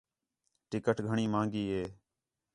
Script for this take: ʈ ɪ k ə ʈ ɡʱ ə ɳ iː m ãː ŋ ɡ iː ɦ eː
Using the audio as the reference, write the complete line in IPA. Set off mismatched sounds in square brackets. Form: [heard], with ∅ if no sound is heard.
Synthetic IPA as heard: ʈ ɪ k ə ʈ ɡʱ ə ɳ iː m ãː ŋ ɡ iː ɦ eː